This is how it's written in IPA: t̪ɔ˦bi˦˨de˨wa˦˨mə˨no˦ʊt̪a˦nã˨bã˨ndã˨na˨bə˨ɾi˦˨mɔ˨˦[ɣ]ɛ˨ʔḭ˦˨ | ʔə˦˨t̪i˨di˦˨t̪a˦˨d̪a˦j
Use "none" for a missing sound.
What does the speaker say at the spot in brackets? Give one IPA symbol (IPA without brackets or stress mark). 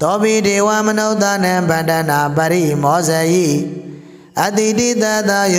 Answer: z